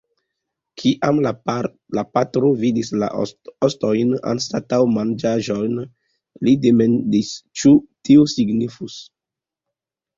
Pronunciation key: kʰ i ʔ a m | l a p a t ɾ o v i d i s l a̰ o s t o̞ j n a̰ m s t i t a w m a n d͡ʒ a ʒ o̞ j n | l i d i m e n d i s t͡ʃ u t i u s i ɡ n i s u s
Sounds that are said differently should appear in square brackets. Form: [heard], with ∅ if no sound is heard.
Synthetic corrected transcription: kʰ i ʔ a m | l a p a t ɾ o v i d i s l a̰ o s t o̞ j n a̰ [n] s t [a] t a w m a n d͡ʒ a ʒ o̞ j n | l i d [e] m e n d i s t͡ʃ u t i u s i ɡ n i [f] u s